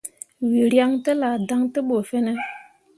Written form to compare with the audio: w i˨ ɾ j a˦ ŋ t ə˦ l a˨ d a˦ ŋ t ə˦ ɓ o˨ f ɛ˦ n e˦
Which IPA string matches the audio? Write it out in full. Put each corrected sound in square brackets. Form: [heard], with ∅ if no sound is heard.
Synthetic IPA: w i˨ ɾ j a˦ ŋ t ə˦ l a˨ d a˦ ŋ t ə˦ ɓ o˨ f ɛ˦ n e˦